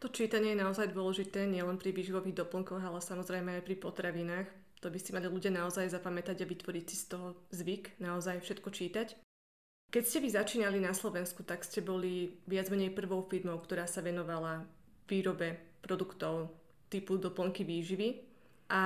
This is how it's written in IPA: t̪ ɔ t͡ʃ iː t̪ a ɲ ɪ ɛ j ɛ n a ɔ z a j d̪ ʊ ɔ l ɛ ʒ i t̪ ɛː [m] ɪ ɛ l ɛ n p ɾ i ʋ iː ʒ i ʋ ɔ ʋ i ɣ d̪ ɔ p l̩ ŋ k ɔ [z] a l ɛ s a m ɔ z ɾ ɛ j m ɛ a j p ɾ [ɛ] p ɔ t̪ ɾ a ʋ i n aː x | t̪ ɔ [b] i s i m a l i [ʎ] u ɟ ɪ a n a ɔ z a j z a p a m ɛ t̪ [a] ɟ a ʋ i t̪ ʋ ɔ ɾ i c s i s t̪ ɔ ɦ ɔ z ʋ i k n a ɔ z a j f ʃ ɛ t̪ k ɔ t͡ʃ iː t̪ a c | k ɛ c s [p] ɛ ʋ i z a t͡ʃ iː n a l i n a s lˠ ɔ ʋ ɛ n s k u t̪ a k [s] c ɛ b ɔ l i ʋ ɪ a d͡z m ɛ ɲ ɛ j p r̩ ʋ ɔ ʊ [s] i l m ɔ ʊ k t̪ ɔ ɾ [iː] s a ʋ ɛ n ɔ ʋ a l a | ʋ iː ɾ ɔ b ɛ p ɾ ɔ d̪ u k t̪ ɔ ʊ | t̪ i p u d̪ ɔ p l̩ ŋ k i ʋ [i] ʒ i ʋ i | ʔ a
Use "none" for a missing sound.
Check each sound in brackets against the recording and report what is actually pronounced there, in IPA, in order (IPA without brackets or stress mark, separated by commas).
ɲ, ɣ, i, b, l, a, c, s, f, aː, iː